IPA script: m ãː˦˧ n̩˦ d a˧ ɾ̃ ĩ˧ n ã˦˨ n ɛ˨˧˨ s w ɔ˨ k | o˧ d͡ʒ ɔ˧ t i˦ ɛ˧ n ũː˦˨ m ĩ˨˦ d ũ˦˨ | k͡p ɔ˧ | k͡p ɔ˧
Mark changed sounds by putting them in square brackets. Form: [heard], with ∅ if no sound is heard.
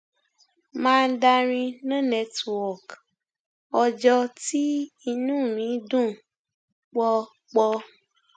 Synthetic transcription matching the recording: m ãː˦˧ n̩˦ d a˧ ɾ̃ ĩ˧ n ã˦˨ n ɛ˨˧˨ [t] w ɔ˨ k | [ɔ˧] d͡ʒ ɔ˧ t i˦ [i˧] n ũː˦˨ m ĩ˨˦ d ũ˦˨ | k͡p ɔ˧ | k͡p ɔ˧